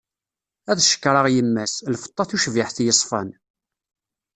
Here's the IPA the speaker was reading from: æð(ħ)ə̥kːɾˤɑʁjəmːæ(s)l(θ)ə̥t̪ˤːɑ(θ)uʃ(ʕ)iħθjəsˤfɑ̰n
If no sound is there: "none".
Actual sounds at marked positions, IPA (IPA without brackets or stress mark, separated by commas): ʃ, s, f, θ, v